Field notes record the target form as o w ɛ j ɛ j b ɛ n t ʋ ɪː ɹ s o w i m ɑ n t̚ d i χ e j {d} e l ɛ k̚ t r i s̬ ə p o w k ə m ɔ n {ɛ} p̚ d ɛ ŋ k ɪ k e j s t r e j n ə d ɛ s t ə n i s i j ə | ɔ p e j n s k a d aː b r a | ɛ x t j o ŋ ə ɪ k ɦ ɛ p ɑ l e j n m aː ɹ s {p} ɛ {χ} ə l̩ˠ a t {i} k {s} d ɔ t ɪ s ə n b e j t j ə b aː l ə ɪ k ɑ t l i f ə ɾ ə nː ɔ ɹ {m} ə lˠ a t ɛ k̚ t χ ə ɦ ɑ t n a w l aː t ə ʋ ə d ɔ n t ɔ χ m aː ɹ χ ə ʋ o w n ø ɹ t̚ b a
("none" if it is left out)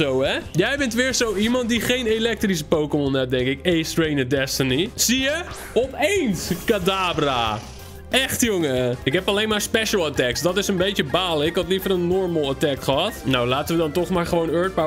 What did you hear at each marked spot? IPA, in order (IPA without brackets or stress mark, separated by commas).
n, ɛ, p, ʃ, ɛ, s, m